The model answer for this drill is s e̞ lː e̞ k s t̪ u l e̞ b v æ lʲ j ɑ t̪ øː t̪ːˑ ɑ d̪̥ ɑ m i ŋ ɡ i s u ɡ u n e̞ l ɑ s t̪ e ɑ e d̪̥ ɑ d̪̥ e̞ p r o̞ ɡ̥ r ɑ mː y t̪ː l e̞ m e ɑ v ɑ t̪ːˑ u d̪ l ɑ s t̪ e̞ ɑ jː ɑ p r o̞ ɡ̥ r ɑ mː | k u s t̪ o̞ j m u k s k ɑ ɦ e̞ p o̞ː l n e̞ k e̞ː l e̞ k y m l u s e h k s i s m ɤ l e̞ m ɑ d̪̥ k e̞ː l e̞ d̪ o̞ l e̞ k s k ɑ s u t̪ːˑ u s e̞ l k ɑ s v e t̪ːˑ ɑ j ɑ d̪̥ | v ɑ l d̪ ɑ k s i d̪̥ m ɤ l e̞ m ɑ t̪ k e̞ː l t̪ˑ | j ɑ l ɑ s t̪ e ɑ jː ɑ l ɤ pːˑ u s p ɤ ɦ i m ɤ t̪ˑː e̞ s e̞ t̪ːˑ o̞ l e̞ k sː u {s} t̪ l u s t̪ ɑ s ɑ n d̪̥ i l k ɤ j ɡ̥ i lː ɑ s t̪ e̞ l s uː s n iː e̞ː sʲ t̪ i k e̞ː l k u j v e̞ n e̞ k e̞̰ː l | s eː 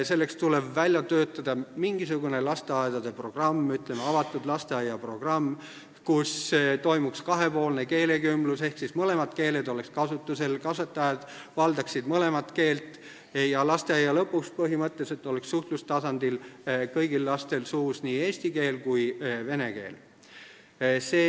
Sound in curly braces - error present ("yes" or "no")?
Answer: yes